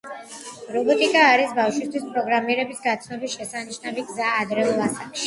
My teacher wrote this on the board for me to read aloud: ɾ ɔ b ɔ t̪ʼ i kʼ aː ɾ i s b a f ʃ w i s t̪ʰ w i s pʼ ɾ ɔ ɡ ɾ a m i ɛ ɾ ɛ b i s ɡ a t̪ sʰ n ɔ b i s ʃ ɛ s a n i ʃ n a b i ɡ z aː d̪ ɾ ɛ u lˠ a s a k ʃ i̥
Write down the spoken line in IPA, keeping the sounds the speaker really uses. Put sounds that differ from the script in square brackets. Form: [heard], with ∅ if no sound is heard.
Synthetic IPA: ɾ ɔ b ɔ t̪ʼ i kʼ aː ɾ i s b a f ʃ w i s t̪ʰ w i s pʼ ɾ ɔ ɡ ɾ a m i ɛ ɾ ɛ b i s ɡ a t̪ sʰ n ɔ b i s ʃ ɛ s a n i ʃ n a [v] i ɡ z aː d̪ ɾ ɛ u lˠ a s a k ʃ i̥